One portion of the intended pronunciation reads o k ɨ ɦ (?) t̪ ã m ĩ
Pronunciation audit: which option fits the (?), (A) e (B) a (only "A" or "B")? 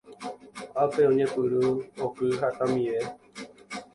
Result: B